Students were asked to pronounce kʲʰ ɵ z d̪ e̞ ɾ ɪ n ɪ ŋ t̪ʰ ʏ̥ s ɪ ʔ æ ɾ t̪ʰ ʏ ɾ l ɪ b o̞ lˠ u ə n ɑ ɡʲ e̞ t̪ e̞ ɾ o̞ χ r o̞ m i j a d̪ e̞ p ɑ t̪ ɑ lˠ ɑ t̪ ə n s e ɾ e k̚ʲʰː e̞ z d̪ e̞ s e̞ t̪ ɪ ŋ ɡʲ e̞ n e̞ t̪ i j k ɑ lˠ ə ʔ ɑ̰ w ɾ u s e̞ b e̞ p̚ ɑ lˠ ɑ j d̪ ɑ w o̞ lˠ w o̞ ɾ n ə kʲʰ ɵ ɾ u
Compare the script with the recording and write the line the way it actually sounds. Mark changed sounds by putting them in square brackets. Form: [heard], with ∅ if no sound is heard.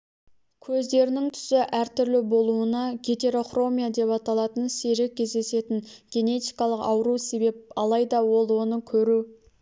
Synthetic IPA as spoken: kʲʰ ɵ z d̪ e̞ ɾ ɪ n ɪ ŋ t̪ʰ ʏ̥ s ɪ ʔ æ ɾ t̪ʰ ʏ ɾ l ɪ b o̞ lˠ u ə n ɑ ɡʲ e̞ t̪ e̞ ɾ o̞ χ r o̞ m i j a d̪ e̞ p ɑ t̪ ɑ lˠ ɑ t̪ ə n s e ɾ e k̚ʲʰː e̞ z d̪ e̞ s e̞ t̪ ɪ ŋ ɡʲ e̞ n e̞ t̪ i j k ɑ lˠ ə [q] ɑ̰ w ɾ u s e̞ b e̞ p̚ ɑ lˠ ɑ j d̪ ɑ w o̞ lˠ w o̞ [∅] n ə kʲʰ ɵ ɾ u

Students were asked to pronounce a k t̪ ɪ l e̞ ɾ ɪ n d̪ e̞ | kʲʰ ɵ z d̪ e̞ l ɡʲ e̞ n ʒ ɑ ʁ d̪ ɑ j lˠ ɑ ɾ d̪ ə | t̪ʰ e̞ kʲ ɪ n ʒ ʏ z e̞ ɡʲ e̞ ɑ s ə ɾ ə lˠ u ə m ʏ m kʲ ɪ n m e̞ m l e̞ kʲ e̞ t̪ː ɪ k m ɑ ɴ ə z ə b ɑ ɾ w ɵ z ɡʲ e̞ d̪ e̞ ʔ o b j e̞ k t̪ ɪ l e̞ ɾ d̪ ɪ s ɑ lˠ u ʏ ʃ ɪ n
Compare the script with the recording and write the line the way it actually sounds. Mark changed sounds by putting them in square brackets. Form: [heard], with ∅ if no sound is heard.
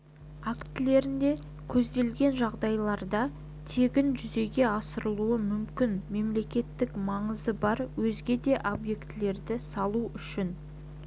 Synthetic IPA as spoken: a k t̪ ɪ l e̞ ɾ ɪ n d̪ e̞ | kʲʰ ɵ z d̪ e̞ l ɡʲ e̞ n ʒ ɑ ʁ d̪ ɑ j lˠ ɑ ɾ d̪ [ɑ] | t̪ʰ e̞ [ɡʲ] ɪ n ʒ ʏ z e̞ ɡʲ e̞ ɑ s ə ɾ ə lˠ u ə m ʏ m kʲ ɪ n m e̞ m l e̞ kʲ e̞ t̪ː ɪ k m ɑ ɴ ə z ə b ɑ ɾ w ɵ z ɡʲ e̞ d̪ e̞ ʔ o b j e̞ k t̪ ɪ l e̞ ɾ d̪ ɪ s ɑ lˠ u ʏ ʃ ɪ n

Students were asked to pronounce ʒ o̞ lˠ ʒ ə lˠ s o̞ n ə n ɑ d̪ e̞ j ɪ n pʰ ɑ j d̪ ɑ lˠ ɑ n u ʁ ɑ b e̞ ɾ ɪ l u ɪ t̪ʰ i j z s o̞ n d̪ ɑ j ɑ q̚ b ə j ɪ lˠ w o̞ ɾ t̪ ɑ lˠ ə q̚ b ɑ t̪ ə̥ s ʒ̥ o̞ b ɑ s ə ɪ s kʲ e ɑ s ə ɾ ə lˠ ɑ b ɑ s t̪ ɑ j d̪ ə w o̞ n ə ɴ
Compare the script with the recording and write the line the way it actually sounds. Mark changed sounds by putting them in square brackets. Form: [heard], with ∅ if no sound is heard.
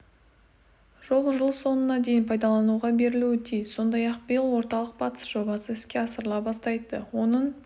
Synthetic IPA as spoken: ʒ o̞ lˠ ʒ ə lˠ s o̞ n ə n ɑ d̪ e̞ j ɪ n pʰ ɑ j d̪ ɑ lˠ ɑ n u ʁ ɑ b e̞ ɾ ɪ l u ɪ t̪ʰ i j z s o̞ n d̪ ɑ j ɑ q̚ b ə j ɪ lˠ w o̞ ɾ t̪ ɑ lˠ ə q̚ b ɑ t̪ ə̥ s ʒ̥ o̞ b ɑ s ə ɪ s kʲ e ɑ s ə ɾ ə lˠ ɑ b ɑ s t̪ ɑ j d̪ ə w o̞ n ə ɴ

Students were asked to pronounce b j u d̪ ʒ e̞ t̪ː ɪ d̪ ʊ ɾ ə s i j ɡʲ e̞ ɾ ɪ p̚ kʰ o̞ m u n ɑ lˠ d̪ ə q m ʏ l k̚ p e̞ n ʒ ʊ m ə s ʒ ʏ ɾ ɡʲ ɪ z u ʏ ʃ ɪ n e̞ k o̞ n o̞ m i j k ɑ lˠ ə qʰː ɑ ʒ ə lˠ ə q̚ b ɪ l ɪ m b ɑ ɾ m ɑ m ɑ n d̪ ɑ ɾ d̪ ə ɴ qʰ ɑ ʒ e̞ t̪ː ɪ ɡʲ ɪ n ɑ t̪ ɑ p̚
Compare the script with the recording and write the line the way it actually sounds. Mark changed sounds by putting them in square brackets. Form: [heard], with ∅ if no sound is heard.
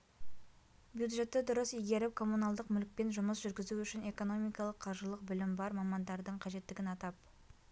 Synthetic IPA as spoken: b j u d̪ ʒ e̞ t̪ː ɪ d̪ ʊ ɾ ə s i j ɡʲ e̞ ɾ ɪ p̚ kʰ o̞ m u n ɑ lˠ d̪ ə q m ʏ l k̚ p e̞ n ʒ ʊ m ə s ʒ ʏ ɾ ɡʲ ɪ z u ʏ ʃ ɪ n e̞ k o̞ n o̞ m i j k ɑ lˠ ə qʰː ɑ ʒ ə lˠ ə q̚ b ɪ l ɪ m b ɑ ɾ m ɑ m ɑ n d̪ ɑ ɾ d̪ ə ɴ qʰ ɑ ʒ e̞ t̪ː ɪ ɡʲ ɪ n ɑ t̪ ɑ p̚

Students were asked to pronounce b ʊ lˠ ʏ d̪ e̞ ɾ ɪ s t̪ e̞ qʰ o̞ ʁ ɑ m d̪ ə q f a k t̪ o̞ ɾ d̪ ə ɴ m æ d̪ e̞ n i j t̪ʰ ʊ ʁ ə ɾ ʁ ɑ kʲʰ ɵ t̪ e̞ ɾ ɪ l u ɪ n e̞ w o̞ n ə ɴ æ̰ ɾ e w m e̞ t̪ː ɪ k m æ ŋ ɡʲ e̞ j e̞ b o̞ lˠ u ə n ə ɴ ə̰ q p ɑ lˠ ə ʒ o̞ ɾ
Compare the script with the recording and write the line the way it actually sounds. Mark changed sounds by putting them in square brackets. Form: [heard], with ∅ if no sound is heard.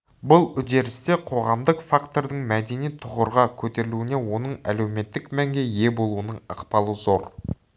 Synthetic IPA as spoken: b ʊ lˠ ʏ d̪ e̞ ɾ ɪ s t̪ e̞ qʰ o̞ ʁ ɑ m d̪ ə q f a k t̪ o̞ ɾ d̪ ə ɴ m æ d̪ e̞ n i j t̪ʰ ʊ ʁ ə ɾ ʁ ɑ kʲʰ ɵ t̪ e̞ ɾ ɪ l u ɪ n e̞ w o̞ n ə ɴ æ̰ [l] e w m e̞ t̪ː ɪ k m æ ŋ ɡʲ e̞ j e̞ b o̞ lˠ u ə n ə ɴ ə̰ q p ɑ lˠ ə [z] o̞ ɾ

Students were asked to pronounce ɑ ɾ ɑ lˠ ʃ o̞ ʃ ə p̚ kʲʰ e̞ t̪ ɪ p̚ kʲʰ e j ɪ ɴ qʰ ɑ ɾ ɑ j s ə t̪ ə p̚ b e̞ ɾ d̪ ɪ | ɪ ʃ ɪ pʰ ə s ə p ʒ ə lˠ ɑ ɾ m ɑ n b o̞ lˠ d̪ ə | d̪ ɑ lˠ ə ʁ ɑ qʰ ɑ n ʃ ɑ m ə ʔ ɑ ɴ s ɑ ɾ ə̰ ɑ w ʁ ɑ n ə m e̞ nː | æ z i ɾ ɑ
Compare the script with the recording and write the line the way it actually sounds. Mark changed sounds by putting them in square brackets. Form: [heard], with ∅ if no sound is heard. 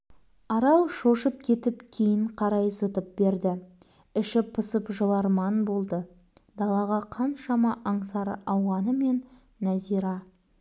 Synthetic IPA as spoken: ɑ ɾ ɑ lˠ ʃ o̞ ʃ ə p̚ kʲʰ e̞ t̪ ɪ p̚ kʲʰ e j ɪ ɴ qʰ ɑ ɾ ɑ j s ə t̪ ə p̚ b e̞ ɾ d̪ ɪ | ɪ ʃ ɪ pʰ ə s ə p ʒ ə lˠ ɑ ɾ m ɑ n b o̞ lˠ d̪ ə | d̪ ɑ lˠ [ɑ] ʁ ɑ qʰ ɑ n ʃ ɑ m [ɑ] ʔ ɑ ɴ s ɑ ɾ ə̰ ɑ w ʁ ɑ n ə m e̞ nː | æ z i ɾ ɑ

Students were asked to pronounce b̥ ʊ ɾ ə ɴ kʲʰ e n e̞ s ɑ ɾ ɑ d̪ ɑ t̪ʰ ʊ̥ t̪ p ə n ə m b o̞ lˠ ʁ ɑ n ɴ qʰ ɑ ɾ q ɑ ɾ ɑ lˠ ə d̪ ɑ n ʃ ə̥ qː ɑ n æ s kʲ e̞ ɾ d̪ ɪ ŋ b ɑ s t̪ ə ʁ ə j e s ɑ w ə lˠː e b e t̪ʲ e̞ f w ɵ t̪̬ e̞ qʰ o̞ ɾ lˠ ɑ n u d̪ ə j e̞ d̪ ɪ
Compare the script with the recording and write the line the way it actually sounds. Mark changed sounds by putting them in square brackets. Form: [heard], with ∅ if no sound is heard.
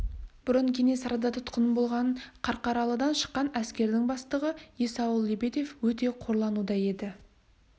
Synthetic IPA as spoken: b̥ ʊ ɾ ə ɴ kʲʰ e n e̞ s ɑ ɾ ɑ d̪ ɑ t̪ʰ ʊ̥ t̪ [q] ə n ə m b o̞ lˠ ʁ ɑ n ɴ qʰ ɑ ɾ q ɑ ɾ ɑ lˠ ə d̪ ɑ n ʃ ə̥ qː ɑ n æ s kʲ e̞ ɾ d̪ ɪ ŋ b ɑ s t̪ ə ʁ ə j e s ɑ w ə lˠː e b e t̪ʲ e̞ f w ɵ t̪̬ e̞ qʰ o̞ ɾ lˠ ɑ n u d̪ [ɑ] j e̞ d̪ ɪ

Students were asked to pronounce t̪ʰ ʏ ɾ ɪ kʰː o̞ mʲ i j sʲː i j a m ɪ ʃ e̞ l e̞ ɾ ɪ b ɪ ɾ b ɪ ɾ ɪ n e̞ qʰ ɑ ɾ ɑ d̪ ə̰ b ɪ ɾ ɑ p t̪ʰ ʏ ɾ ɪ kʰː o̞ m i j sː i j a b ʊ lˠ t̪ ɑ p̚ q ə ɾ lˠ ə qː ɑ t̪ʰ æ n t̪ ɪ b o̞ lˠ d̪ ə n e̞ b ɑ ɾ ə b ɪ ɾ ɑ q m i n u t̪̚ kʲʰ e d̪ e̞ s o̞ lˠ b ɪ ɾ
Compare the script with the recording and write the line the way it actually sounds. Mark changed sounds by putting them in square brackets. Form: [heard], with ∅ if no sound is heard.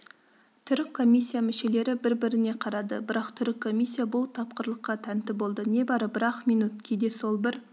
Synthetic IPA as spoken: t̪ʰ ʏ ɾ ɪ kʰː o̞ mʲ i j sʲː i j a m ɪ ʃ e̞ l e̞ ɾ ɪ b ɪ ɾ b ɪ ɾ ɪ n e̞ qʰ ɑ ɾ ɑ d̪ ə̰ b ɪ ɾ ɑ [q] t̪ʰ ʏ ɾ ɪ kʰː o̞ m i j sː i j a b ʊ lˠ [t̪ʰ] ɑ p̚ q ə ɾ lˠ ə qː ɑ t̪ʰ æ n t̪ ɪ b o̞ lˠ d̪ ə n e̞ b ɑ ɾ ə b ɪ ɾ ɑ q m i n u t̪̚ kʲʰ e d̪ e̞ s o̞ lˠ b ɪ ɾ

